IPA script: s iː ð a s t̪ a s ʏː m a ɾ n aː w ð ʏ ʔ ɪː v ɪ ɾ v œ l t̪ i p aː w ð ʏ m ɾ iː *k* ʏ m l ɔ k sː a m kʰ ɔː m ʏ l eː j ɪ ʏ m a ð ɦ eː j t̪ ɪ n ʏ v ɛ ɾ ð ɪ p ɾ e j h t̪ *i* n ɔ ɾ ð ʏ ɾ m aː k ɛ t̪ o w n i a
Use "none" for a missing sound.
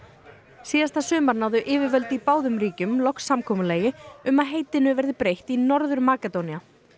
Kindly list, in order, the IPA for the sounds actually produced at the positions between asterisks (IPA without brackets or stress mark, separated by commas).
c, i